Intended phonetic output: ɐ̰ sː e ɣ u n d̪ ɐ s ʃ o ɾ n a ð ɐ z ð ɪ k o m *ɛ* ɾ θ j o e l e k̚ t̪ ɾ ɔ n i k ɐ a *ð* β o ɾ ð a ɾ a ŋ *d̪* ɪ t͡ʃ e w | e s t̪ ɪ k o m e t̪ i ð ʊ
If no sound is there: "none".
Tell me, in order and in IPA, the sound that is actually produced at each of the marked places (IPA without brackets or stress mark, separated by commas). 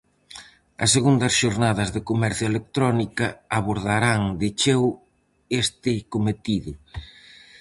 ɛ, none, d̪